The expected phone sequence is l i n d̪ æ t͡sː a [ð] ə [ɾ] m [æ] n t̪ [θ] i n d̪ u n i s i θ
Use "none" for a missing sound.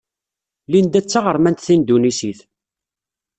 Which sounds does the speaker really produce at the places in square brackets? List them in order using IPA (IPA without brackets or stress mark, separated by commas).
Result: ʁ, ɾ, æ, θ